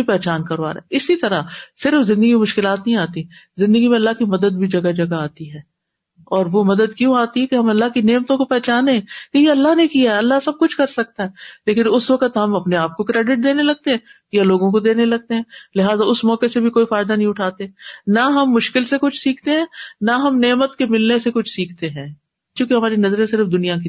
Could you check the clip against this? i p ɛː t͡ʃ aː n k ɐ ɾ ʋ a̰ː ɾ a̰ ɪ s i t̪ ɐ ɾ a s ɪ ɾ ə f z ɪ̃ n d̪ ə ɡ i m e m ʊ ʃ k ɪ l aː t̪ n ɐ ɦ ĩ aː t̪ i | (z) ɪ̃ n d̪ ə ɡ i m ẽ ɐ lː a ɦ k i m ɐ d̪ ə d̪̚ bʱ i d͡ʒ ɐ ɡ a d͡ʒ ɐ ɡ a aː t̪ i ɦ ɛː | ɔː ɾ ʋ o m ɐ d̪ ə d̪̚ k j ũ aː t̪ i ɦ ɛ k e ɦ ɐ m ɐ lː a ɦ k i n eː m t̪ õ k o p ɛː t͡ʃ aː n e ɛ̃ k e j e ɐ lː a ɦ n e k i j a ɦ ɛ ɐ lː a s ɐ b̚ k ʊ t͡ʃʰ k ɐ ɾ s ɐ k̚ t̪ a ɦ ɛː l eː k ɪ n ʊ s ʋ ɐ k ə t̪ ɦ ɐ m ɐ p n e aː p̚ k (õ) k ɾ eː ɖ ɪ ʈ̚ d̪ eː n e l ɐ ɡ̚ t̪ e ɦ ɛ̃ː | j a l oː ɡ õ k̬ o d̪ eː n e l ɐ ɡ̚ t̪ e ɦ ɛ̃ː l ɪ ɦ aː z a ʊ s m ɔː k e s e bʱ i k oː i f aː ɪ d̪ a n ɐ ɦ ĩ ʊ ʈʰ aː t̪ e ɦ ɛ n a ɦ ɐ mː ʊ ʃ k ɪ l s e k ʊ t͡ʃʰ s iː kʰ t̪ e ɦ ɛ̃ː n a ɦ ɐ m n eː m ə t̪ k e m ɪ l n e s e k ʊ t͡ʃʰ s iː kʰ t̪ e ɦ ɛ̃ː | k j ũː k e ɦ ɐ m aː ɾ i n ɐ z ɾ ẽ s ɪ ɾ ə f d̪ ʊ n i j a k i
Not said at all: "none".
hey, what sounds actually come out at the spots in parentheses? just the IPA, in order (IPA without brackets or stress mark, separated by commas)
z, o